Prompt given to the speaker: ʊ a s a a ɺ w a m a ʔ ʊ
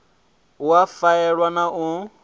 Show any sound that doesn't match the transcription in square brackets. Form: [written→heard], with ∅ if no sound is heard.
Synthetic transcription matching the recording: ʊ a [s→f] a [a→ɛ] ɺ w a [m→n] a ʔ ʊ